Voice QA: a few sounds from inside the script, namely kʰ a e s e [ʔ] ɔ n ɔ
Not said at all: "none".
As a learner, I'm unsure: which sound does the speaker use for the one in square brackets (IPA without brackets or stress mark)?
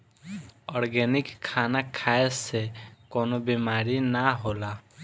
k